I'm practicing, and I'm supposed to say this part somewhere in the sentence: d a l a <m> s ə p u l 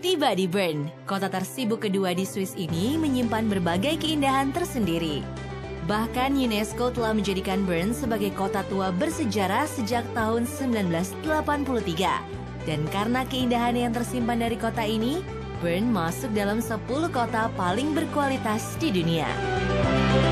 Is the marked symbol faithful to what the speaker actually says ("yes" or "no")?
yes